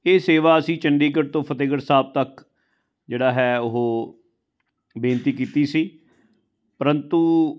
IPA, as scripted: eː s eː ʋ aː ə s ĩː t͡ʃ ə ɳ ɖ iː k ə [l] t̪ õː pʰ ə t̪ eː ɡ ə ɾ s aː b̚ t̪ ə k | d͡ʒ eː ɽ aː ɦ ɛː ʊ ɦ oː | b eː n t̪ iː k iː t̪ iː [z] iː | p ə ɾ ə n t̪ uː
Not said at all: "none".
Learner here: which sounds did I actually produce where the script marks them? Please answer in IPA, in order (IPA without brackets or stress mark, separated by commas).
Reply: ɾ, s